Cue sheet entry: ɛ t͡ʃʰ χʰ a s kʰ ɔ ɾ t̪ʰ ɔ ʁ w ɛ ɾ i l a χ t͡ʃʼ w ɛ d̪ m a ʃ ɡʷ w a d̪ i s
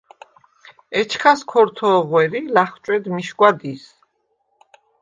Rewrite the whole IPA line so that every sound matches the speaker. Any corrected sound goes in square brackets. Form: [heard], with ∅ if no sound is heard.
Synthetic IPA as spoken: ɛ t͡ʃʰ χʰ a s kʰ ɔ ɾ t̪ʰ ɔ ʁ w ɛ ɾ i l a χ t͡ʃʼ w ɛ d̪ m [i] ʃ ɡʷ w a d̪ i s